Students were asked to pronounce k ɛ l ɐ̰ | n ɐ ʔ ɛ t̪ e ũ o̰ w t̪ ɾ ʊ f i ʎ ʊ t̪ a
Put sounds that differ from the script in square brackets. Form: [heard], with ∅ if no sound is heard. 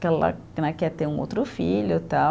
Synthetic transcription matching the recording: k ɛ l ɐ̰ | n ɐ [k] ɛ t̪ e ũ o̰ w t̪ ɾ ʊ f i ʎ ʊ t̪ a

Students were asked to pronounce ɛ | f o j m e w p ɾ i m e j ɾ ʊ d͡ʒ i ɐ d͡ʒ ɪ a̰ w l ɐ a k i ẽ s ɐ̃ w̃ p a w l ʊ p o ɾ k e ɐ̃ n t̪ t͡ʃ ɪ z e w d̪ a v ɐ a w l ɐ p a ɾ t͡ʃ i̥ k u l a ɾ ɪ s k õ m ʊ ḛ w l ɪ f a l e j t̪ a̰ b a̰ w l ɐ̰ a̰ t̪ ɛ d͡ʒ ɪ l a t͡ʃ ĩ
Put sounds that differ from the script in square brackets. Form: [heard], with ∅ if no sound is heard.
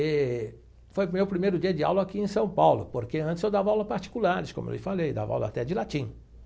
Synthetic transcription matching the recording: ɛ | f o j m e w p ɾ i m e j ɾ ʊ d͡ʒ i ɐ d͡ʒ ɪ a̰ w l ɐ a k i ẽ s ɐ̃ w̃ p a w l ʊ p o ɾ k e ɐ̃ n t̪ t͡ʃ ɪ z e w d̪ a v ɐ a w l ɐ p a ɾ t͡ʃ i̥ k u l a ɾ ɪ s k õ m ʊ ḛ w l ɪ f a l e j [d̪] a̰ [v] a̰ w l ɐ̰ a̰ t̪ ɛ d͡ʒ ɪ l a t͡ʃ ĩ

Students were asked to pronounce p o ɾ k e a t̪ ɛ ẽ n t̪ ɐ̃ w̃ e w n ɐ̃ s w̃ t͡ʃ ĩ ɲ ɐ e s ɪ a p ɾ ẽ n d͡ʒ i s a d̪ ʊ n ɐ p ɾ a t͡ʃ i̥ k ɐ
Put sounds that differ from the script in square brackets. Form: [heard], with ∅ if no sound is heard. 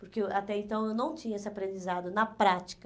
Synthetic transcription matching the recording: p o ɾ k e a t̪ ɛ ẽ n t̪ ɐ̃ w̃ e w n ɐ̃ [∅] w̃ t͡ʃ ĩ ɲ ɐ e s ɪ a p ɾ ẽ n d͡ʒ i [z] a d̪ ʊ n ɐ p ɾ a t͡ʃ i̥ k ɐ

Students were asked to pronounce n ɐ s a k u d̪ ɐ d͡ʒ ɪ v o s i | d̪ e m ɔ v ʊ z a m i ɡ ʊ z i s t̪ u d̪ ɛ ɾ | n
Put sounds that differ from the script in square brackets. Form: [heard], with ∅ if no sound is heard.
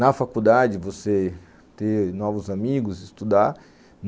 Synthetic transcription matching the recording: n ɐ [f] a k u d̪ [a] d͡ʒ ɪ v o s [e] | [t̪] e [n] ɔ v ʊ z a m i ɡ ʊ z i s t̪ u d̪ [a] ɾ | n

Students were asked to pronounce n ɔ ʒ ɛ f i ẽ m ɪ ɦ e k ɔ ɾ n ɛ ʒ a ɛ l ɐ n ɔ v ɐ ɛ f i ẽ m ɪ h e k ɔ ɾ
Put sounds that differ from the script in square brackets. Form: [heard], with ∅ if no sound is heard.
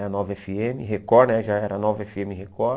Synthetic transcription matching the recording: n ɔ [v] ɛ f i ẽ m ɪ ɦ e k ɔ ɾ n ɛ ʒ a ɛ [ɾ] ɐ n ɔ v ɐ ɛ f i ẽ m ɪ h e k ɔ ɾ

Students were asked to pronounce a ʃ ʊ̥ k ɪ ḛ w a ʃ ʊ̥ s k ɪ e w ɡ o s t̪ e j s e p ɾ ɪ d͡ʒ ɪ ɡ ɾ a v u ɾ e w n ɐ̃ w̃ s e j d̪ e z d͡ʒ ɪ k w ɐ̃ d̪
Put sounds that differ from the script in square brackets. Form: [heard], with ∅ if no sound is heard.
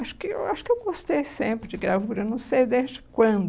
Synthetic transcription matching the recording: a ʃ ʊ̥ k ɪ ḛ w a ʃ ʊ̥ [∅] k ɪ e w ɡ o s t̪ e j s [ẽ] p ɾ ɪ d͡ʒ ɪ ɡ ɾ a v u ɾ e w n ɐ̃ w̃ s e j d̪ e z d͡ʒ ɪ k w ɐ̃ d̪

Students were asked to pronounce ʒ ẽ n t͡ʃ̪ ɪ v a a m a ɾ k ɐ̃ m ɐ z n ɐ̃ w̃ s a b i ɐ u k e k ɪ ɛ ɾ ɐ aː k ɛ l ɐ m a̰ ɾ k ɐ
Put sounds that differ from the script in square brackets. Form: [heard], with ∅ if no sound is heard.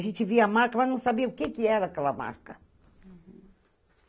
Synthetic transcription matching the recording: ʒ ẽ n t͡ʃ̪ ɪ v [i] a m a ɾ k [ɐ] m ɐ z n ɐ̃ w̃ s a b i ɐ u k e k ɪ ɛ ɾ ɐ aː k ɛ l ɐ m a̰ ɾ k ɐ

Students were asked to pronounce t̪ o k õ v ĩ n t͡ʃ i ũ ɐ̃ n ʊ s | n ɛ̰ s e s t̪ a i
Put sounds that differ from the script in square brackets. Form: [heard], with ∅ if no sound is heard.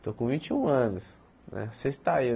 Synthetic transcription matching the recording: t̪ o k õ v ĩ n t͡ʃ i ũ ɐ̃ n ʊ s | n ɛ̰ s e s t̪ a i

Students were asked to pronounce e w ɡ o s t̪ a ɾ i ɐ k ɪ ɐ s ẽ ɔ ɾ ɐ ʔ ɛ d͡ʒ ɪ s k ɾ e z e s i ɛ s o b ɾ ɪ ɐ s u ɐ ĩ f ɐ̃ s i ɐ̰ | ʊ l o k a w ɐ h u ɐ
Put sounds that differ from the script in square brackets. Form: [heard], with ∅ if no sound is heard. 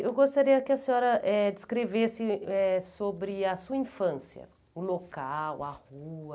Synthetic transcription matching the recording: e w ɡ o s t̪ a ɾ i ɐ k ɪ ɐ s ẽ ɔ ɾ ɐ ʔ ɛ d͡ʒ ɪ s k ɾ e [v] e s [ɪ] ɛ s o b ɾ ɪ ɐ s u ɐ ĩ f ɐ̃ s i ɐ̰ | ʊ l o k a w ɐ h u ɐ

